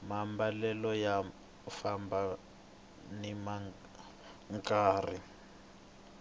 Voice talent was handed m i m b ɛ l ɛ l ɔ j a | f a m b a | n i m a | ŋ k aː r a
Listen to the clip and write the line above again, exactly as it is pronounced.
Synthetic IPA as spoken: m a m b a l ɛ l ɔ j a | f a m b a | n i m a | ŋ k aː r i